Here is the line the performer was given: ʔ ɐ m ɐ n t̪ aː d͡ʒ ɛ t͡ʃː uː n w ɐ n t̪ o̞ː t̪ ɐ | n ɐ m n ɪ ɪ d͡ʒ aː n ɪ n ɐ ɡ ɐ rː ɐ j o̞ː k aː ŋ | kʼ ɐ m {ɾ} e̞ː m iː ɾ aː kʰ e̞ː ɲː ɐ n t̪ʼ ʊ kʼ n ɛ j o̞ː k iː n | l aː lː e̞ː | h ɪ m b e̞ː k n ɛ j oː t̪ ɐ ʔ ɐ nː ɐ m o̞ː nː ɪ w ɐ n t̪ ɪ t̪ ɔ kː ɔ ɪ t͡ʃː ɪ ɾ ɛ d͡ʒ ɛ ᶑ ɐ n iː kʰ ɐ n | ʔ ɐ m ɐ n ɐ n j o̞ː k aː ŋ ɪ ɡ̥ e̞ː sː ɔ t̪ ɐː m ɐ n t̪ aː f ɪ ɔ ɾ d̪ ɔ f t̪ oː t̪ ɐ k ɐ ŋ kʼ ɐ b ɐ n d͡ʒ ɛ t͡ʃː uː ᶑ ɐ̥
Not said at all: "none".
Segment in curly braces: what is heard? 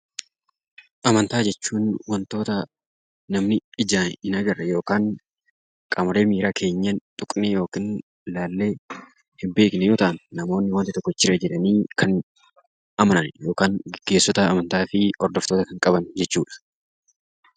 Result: ɾ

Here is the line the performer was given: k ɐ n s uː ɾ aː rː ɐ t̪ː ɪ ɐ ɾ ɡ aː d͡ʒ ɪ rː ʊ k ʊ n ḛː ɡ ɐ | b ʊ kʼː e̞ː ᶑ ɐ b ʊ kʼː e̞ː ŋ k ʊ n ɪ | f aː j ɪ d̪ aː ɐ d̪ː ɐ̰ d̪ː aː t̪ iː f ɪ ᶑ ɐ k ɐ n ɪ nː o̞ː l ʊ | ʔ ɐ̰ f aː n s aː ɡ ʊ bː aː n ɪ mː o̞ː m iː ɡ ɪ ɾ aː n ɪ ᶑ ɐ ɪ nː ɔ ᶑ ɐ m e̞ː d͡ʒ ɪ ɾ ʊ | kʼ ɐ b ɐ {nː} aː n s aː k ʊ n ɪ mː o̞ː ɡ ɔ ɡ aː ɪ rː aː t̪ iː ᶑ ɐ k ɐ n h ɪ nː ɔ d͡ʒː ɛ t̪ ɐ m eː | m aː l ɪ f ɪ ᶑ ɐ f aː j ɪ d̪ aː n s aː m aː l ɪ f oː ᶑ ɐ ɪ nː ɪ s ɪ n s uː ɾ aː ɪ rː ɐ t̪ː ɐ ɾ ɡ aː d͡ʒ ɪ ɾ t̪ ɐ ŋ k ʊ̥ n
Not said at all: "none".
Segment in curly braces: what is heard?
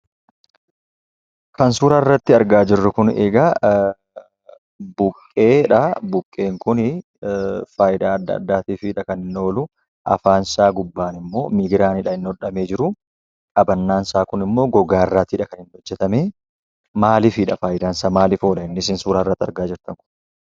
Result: nː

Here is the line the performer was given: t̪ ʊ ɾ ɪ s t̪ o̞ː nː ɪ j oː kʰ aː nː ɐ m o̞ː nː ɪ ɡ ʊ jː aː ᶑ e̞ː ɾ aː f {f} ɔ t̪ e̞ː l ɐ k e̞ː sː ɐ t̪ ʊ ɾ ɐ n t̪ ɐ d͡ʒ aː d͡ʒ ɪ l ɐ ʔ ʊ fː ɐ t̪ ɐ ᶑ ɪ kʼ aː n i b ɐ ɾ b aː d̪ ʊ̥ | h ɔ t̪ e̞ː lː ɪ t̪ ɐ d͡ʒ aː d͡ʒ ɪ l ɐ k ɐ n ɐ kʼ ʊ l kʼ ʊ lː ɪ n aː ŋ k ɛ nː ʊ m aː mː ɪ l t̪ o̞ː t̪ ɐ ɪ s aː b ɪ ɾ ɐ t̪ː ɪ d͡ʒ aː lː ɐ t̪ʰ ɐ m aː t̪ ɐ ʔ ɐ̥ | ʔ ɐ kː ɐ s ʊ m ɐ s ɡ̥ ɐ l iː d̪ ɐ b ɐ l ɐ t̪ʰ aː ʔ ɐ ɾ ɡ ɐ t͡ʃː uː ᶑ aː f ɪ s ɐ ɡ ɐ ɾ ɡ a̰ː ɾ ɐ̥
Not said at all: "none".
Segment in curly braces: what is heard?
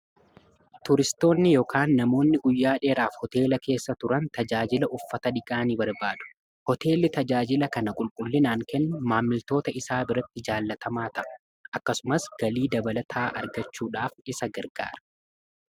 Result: h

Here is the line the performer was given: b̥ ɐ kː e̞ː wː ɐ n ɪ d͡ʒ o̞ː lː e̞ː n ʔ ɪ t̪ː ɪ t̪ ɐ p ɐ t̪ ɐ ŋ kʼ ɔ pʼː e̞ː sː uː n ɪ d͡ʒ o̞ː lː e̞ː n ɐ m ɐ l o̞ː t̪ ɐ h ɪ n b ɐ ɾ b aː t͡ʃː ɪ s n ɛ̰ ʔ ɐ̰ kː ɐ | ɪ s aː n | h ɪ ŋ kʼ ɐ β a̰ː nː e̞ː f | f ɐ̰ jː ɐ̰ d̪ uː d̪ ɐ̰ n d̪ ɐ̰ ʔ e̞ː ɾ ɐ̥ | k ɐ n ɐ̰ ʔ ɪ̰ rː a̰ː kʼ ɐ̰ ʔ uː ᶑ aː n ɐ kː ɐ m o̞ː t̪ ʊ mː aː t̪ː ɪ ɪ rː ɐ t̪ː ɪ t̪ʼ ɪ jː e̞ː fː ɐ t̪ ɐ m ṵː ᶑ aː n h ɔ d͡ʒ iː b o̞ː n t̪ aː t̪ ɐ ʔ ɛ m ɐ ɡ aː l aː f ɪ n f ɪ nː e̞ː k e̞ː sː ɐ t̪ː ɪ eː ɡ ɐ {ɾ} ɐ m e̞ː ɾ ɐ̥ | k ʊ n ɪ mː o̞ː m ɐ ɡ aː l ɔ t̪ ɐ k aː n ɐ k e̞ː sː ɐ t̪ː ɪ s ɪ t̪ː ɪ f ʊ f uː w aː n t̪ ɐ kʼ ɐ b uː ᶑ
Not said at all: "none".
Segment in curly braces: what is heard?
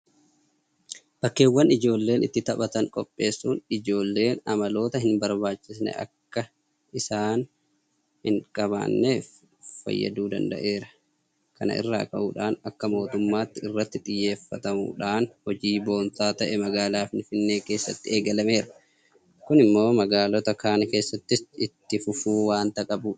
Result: l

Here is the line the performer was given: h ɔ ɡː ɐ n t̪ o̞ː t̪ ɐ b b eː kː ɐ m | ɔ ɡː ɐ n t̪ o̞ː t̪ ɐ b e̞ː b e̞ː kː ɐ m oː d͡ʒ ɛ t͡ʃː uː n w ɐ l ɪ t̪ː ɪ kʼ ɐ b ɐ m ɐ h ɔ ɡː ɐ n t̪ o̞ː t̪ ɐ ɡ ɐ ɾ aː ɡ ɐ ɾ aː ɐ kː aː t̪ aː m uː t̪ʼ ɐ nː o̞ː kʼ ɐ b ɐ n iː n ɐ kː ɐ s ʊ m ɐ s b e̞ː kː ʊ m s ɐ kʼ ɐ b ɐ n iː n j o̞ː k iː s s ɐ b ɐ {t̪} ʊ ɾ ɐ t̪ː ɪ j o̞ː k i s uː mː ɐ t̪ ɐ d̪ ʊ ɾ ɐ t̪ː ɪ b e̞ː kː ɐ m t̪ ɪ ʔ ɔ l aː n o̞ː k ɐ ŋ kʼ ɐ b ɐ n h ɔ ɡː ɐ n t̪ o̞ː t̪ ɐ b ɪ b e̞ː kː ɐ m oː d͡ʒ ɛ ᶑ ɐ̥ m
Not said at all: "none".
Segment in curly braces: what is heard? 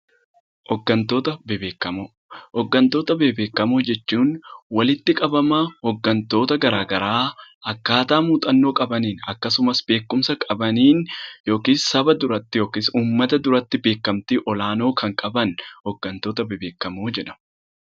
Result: d̪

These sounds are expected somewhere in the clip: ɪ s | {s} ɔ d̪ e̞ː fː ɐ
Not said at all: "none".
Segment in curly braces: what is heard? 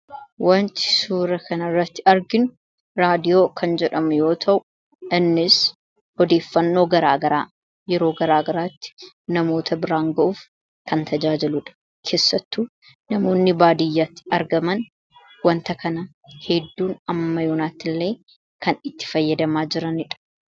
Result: h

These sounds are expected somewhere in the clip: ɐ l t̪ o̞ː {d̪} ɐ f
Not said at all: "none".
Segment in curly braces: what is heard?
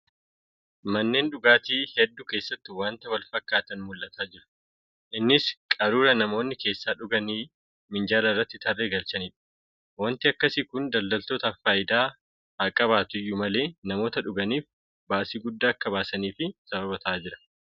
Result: t̪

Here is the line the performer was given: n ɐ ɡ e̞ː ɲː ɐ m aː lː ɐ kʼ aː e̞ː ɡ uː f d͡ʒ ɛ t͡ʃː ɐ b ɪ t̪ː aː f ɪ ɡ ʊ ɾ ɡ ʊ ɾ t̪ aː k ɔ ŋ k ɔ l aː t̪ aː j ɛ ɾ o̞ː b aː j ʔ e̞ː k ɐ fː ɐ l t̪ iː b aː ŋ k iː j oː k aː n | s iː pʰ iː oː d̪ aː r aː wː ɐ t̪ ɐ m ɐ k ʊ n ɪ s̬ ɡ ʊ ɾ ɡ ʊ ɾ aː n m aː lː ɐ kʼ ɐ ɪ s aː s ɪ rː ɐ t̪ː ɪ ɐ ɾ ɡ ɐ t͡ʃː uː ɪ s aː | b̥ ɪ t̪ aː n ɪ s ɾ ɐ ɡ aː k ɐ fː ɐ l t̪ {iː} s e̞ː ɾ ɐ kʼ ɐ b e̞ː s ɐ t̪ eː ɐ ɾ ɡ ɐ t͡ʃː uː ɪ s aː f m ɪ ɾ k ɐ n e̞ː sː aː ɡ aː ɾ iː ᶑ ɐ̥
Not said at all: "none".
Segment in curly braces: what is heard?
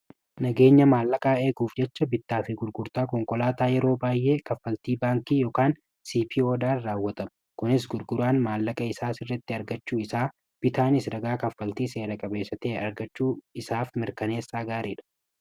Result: iː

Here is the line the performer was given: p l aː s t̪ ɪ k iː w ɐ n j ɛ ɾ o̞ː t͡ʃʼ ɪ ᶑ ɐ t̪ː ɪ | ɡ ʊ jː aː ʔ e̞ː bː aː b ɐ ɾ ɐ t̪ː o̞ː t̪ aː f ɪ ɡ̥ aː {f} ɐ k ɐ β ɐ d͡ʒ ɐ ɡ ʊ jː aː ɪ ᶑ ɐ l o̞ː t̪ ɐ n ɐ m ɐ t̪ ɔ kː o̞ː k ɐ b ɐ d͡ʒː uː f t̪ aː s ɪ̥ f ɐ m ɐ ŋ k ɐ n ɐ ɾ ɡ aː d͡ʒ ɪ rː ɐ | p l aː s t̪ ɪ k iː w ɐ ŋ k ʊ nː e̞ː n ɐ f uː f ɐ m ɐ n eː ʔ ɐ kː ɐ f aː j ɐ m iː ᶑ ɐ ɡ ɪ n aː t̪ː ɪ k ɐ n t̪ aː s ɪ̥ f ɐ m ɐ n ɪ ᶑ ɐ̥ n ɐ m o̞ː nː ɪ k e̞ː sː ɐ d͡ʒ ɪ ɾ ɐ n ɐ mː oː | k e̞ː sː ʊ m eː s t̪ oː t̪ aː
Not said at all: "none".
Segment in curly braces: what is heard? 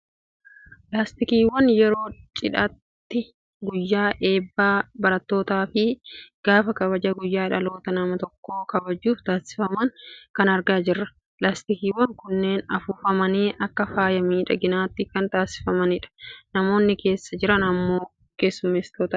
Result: f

